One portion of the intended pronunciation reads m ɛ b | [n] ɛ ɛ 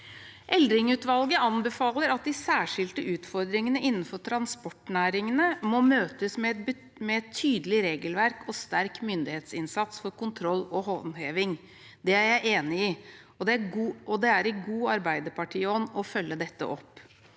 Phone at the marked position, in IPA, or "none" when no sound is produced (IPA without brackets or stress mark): m